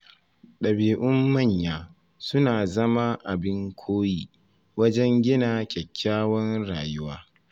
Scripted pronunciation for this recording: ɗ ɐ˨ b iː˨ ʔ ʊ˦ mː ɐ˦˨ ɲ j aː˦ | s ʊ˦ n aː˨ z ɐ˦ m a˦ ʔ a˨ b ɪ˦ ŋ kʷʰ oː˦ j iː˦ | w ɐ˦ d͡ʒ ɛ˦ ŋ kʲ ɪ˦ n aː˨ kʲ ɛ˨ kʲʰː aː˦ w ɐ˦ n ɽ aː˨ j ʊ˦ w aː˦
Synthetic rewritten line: ɗ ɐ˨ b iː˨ ʔ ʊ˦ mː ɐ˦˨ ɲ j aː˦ | s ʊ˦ n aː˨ z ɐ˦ m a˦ ʔ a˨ b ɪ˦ ŋ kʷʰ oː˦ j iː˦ | w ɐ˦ d͡ʒ ɛ˦ ŋ ɡʲ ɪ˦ n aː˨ kʲ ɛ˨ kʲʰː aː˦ w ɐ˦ n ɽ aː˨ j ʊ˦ w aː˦